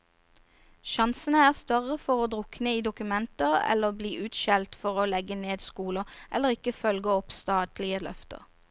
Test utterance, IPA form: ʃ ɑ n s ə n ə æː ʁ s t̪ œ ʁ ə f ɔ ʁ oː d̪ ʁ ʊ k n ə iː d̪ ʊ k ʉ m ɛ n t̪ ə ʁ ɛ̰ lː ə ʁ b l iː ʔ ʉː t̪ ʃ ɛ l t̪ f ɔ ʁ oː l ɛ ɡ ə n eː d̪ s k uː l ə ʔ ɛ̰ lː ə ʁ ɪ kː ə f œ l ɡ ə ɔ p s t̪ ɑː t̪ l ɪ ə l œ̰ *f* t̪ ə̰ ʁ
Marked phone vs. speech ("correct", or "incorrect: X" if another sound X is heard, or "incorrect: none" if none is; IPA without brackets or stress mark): correct